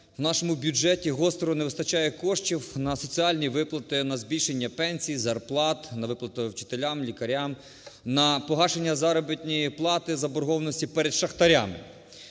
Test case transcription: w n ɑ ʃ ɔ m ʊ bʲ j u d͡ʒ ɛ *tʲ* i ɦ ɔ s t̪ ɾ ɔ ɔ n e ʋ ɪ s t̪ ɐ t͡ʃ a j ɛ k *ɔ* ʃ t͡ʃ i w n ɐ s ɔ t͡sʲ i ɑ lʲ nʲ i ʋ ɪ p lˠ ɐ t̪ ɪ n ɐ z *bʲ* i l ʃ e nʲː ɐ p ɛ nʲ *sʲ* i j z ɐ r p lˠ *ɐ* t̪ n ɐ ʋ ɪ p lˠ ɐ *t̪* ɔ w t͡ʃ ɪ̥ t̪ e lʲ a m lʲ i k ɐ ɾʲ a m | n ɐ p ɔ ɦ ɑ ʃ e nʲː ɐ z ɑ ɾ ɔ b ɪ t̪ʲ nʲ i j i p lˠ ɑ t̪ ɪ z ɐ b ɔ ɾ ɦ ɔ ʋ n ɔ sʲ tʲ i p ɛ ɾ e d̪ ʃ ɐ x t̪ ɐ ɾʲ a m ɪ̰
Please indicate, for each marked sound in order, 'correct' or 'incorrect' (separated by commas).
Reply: correct, correct, correct, correct, incorrect, correct